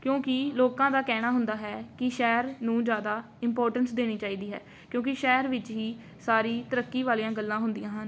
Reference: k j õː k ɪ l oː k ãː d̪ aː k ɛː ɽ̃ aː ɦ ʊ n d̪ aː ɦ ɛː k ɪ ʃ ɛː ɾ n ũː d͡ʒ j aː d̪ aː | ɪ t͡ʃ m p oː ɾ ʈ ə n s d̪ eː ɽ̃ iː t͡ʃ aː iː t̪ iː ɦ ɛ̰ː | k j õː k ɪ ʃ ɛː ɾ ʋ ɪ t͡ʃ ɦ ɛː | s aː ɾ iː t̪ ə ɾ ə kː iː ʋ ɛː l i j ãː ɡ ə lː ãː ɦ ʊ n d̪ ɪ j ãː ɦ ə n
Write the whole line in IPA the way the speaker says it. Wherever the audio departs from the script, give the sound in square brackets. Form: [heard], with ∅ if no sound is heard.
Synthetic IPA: k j õː k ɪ l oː k ãː d̪ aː k ɛː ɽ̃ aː ɦ ʊ n d̪ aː ɦ ɛː k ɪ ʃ ɛː ɾ n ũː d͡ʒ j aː d̪ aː | ɪ [∅] m p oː ɾ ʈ ə n s d̪ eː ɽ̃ iː t͡ʃ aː iː [d̪] iː ɦ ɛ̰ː | k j õː k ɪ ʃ ɛː ɾ ʋ ɪ t͡ʃ ɦ [iː] | s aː ɾ iː t̪ ə ɾ ə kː iː ʋ [aː] l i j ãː ɡ ə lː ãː ɦ ʊ n d̪ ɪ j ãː ɦ ə n